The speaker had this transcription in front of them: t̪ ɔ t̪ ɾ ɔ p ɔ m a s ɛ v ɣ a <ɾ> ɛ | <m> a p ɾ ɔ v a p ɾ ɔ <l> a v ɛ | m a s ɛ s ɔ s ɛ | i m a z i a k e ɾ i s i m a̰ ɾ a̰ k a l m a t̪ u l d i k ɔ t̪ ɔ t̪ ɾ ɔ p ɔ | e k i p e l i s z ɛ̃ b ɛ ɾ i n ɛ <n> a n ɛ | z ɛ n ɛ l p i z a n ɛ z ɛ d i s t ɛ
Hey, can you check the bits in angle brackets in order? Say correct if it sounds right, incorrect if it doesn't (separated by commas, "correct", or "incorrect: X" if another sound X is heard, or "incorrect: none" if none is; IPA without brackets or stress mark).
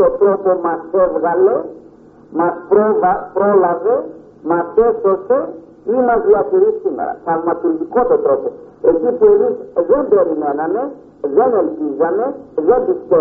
incorrect: l, correct, correct, correct